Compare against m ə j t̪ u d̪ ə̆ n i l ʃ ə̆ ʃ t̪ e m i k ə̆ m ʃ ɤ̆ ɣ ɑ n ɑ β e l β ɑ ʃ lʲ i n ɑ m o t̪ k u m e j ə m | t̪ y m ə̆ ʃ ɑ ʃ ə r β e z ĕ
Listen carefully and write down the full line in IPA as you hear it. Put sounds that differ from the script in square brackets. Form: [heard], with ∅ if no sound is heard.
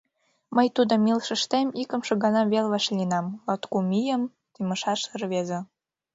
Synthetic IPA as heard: m ə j t̪ u d̪ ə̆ [m] i l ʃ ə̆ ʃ t̪ e m i k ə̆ m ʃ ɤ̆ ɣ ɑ n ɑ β e l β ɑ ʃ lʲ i n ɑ m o t̪ k u m [i] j ə m | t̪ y m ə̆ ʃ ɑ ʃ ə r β e z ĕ